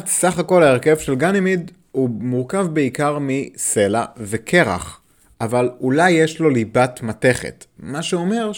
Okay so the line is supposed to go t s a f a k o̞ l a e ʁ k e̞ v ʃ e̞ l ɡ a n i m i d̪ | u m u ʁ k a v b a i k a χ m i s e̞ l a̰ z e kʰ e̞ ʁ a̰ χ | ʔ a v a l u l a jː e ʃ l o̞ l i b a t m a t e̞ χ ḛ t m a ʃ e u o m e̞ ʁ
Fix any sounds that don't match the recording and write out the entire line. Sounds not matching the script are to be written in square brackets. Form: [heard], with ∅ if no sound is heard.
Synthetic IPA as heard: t s a [χ] a k o̞ l a e ʁ k e̞ v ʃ e̞ l ɡ a n i m i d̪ | u m u ʁ k a v b [e] i k a [ʁ] m i s e̞ l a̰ [v] e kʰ e̞ ʁ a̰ χ | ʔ a v a l u l a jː e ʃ l o̞ l i b a t m a t e̞ χ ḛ t m a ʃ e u o m e̞ ʁ